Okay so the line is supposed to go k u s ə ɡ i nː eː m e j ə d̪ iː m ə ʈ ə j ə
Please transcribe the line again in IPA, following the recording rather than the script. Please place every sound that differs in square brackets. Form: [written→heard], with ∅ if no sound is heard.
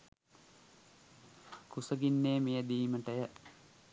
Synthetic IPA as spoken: k u s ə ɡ i nː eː m e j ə d̪ iː m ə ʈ ə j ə